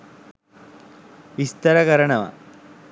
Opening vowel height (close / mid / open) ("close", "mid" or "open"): close